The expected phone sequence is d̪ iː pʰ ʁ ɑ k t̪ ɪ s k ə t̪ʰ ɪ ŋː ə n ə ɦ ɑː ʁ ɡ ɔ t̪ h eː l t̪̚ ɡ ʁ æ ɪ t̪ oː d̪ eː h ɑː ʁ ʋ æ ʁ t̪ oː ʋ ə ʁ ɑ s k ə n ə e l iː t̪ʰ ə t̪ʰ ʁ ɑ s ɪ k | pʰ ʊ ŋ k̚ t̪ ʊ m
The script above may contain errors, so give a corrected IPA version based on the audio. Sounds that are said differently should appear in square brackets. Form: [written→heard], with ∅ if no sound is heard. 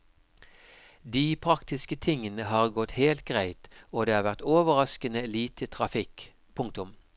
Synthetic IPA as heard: d̪ iː pʰ ʁ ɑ k t̪ ɪ s k ə t̪ʰ ɪ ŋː ə n ə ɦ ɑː ʁ ɡ ɔ t̪ h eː l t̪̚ ɡ ʁ æ ɪ t̪ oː d̪ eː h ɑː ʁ ʋ æ ʁ t̪ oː ʋ ə ʁ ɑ s k ə n ə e l iː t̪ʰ ə t̪ʰ ʁ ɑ [s→f] ɪ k | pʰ ʊ ŋ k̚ t̪ ʊ m